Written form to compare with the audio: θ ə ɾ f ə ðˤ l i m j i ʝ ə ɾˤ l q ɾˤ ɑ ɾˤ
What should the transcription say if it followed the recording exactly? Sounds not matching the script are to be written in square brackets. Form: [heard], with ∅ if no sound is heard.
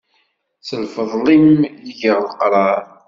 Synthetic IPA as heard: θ ə [l] f ə ðˤ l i m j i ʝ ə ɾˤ l q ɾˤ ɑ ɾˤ